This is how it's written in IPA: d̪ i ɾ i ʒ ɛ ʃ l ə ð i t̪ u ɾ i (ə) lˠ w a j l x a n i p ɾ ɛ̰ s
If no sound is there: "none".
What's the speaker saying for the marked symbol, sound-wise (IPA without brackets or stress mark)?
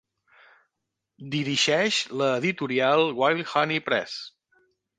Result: a